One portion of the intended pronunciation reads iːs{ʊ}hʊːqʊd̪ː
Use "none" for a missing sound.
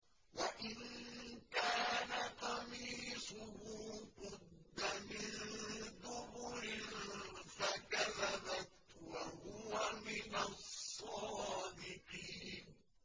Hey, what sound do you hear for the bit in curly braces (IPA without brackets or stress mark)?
ʊ